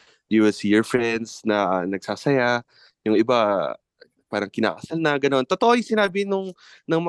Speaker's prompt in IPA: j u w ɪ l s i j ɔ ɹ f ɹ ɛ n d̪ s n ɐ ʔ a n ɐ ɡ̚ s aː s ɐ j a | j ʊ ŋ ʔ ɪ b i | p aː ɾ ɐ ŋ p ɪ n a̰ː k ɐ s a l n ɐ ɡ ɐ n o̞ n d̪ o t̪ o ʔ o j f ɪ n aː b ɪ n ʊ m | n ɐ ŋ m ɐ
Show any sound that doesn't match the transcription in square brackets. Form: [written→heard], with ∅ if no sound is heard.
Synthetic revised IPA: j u w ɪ l s i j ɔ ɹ f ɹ ɛ n d̪ s n ɐ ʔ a n ɐ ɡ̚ s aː s ɐ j a | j ʊ ŋ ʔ ɪ b [i→a] | p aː ɾ ɐ ŋ [p→k] ɪ n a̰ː k ɐ s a l n ɐ ɡ ɐ n o̞ n [d̪→t̪] o t̪ o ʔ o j [f→s] ɪ n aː b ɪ n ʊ [m→ŋ] | n ɐ ŋ m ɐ